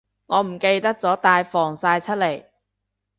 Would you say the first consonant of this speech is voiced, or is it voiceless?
voiced